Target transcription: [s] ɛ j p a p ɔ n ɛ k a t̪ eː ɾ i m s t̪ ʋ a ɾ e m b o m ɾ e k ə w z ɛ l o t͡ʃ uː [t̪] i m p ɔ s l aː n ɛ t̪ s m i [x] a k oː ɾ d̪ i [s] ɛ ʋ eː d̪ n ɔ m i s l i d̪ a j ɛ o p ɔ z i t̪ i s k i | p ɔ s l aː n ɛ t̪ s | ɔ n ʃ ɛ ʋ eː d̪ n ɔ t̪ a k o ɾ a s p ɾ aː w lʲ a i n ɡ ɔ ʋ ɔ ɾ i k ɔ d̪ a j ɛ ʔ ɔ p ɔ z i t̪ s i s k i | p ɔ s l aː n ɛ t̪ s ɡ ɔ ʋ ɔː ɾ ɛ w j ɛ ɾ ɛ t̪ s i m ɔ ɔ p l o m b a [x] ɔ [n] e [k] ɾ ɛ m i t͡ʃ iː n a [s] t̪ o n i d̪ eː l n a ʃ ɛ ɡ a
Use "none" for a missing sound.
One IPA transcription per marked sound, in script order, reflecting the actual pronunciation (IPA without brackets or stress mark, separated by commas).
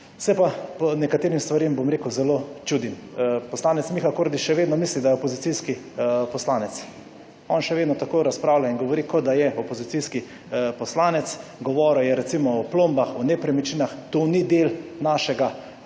s, d̪, x, ʃ, x, n, p, x